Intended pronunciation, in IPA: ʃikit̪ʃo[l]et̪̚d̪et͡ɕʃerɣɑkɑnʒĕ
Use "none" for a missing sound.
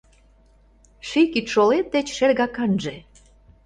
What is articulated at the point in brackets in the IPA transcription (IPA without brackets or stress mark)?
l